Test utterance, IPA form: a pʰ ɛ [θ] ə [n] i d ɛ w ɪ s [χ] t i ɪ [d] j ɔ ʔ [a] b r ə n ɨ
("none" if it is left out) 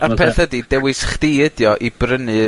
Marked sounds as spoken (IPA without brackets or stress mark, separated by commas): θ, d, χ, d, i